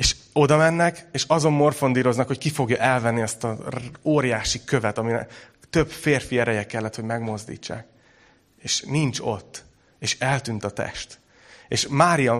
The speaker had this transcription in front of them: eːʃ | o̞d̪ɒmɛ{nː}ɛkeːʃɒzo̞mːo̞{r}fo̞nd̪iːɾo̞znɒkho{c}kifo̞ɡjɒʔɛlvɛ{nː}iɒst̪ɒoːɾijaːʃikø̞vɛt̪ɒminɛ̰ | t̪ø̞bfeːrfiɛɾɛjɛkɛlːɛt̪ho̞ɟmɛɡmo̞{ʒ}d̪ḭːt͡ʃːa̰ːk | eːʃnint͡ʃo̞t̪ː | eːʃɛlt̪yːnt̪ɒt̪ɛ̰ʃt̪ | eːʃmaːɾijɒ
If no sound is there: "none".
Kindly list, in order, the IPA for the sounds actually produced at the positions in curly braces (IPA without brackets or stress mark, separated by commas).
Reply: nː, r, c, nː, z